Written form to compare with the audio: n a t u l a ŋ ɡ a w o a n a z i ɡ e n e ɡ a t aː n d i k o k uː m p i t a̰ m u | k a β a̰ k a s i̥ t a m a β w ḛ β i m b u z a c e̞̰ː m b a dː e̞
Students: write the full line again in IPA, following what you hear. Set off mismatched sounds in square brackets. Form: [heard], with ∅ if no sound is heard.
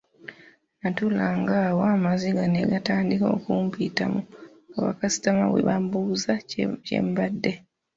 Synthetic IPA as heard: n a t u l a ŋ ɡ a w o a [m] a z i ɡ [a] n e ɡ a t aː n d i k o k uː m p i t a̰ m u | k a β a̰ k a s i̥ t a m a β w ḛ β [a] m b u z a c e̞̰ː m b a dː e̞